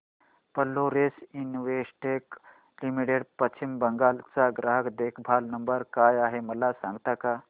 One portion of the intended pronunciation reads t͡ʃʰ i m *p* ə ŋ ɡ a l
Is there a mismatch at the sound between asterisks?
yes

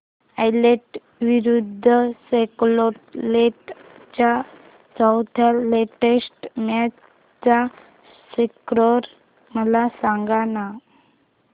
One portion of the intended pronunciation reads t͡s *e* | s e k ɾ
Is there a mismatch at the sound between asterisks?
yes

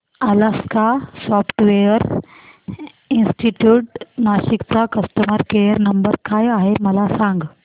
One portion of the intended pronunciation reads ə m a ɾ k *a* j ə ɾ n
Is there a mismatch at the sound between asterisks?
yes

